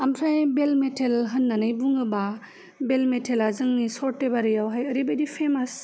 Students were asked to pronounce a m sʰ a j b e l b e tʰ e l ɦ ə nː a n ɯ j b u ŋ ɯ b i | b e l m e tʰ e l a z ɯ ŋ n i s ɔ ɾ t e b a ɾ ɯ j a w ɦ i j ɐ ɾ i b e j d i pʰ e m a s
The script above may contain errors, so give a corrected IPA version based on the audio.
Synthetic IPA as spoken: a m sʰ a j b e l m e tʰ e l ɦ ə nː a n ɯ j b u ŋ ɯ b a | b e l m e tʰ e l a z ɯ ŋ n i s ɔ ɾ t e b a ɾ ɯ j a w ɦ a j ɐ ɾ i b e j d i pʰ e m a s